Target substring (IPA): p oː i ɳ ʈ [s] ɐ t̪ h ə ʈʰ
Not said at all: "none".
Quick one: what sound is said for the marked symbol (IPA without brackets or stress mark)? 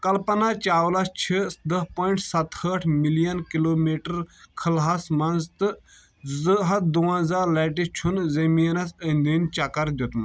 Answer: s